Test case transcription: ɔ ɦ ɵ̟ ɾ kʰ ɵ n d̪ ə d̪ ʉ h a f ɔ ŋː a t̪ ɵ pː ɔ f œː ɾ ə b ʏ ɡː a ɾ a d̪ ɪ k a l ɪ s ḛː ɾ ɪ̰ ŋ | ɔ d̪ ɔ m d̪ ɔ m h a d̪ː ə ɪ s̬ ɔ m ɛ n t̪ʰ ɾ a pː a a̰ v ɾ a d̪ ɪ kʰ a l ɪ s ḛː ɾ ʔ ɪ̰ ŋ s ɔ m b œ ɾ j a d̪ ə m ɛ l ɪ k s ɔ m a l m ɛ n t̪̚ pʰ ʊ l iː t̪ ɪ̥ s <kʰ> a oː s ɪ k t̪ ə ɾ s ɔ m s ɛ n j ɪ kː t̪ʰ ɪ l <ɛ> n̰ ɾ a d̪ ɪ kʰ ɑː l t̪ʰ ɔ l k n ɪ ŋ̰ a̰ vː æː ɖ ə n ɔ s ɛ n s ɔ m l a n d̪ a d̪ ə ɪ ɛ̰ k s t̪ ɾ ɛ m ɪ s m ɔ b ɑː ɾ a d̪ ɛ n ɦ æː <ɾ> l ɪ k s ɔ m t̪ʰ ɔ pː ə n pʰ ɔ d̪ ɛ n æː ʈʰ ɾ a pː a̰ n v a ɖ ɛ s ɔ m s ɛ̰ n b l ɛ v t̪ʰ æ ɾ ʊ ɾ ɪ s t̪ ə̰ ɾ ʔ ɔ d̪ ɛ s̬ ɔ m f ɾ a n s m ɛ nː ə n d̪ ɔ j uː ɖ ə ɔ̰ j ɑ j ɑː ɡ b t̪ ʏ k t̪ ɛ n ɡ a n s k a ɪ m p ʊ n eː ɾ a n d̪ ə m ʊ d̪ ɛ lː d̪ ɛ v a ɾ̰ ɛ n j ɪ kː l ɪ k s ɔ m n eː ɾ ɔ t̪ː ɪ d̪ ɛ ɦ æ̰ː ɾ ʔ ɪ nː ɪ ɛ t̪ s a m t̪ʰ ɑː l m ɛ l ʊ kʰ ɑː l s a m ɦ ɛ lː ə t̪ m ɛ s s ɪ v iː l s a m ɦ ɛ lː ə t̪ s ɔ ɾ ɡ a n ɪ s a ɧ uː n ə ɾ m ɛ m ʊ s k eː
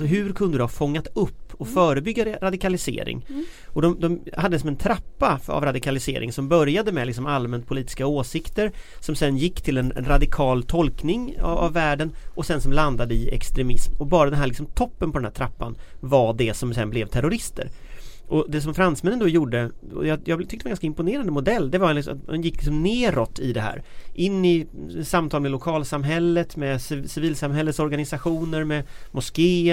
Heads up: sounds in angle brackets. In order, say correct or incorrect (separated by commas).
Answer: incorrect, correct, incorrect